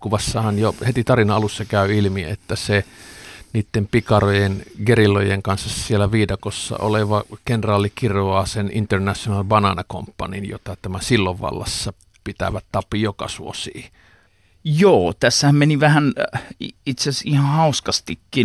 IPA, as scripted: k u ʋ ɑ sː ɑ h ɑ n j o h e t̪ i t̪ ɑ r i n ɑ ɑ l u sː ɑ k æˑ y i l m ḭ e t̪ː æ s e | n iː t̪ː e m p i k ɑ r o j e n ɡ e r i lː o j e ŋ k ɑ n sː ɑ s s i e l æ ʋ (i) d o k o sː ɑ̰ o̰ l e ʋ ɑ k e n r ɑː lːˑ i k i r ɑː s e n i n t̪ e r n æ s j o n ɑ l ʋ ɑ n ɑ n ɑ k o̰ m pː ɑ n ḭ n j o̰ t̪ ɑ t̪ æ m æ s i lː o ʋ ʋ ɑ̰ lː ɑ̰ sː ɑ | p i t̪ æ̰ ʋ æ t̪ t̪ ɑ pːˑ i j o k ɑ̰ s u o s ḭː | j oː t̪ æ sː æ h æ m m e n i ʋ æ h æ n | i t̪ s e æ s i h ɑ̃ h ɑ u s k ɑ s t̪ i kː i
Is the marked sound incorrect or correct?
incorrect